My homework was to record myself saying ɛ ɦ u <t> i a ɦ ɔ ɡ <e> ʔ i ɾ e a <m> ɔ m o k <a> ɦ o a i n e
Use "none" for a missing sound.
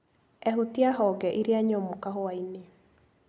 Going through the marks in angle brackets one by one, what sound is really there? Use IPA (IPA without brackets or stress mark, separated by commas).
t, ɛ, ɲ, a